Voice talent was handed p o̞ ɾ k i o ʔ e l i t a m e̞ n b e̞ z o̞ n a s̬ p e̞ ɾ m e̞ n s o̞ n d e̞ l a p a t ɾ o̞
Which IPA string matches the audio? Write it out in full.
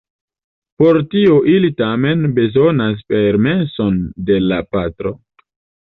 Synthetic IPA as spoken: p o̞ ɾ t i o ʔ i l i t a m e̞ n b e̞ z o̞ n a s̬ p e̞ ɾ m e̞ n s o̞ n d e̞ l a p a t ɾ o̞